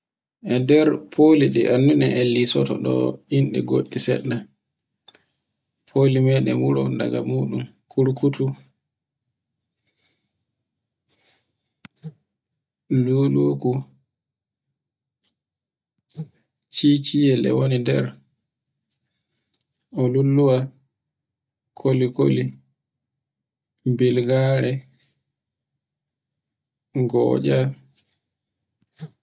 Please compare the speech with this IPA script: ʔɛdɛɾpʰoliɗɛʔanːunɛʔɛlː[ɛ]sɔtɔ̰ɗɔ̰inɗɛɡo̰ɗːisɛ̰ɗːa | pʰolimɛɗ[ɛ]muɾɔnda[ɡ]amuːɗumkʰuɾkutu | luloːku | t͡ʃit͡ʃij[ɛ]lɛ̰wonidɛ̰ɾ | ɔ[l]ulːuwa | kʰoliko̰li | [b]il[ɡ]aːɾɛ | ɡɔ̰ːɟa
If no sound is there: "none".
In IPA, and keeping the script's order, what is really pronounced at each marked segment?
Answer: i, ɛ, ɡ, ɛ, l, b, ɡ

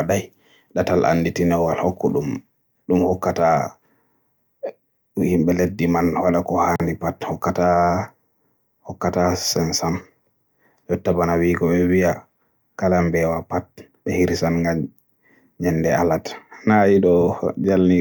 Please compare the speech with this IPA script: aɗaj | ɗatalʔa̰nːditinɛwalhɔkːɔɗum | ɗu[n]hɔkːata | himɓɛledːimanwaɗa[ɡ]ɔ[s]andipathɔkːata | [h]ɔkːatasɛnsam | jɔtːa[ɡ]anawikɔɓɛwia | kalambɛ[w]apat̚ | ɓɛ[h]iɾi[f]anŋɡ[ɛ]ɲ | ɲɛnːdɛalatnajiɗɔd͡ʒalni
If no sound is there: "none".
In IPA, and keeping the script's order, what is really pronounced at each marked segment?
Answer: m, k, h, h, b, w, h, s, a

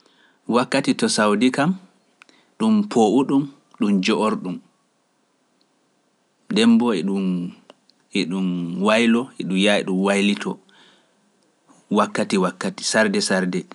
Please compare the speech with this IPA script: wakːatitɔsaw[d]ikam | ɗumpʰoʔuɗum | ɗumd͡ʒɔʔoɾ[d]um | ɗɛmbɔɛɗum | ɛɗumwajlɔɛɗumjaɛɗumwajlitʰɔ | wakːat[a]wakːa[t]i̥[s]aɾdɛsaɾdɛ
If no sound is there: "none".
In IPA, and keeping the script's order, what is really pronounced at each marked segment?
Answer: d, ɗ, i, t, s

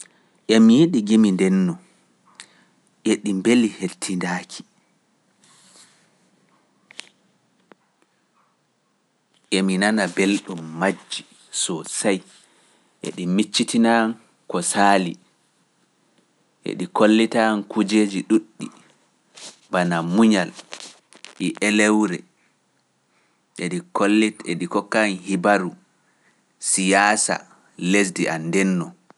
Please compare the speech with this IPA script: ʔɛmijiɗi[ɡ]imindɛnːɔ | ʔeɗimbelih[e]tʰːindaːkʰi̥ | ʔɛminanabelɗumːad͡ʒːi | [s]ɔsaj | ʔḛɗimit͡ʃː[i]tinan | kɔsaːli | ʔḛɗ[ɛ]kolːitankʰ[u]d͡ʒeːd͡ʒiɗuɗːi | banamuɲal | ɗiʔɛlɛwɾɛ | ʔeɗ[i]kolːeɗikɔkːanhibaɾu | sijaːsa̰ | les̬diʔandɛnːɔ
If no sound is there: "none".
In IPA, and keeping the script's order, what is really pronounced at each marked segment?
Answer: ɡ, e, s, i, i, u, i

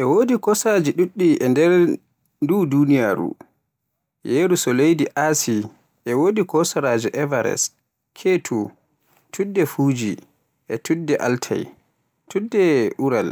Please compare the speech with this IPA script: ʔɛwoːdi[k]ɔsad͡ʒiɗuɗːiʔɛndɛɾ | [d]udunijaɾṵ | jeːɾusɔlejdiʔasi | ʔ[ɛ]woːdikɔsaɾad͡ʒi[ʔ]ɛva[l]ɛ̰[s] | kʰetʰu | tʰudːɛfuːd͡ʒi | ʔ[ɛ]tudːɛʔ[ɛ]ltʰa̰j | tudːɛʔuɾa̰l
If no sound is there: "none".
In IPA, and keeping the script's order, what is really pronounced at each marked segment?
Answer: k, d, ɛ, ʔ, ɾ, s, ɛ, a

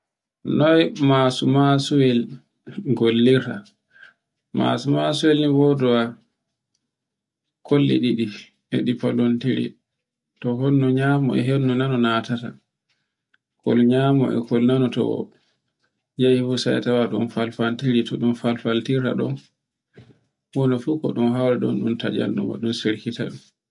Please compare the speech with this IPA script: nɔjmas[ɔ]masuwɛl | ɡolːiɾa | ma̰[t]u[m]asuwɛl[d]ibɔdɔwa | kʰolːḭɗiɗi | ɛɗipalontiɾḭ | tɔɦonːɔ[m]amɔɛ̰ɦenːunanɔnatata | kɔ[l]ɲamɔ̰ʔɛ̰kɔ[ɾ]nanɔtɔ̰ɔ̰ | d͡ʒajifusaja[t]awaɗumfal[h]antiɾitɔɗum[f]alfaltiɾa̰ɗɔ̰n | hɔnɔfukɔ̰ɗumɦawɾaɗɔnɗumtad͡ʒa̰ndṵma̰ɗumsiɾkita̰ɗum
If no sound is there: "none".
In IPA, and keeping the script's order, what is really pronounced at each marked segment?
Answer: u, s, m, n, ɲ, l, l, t, f, f

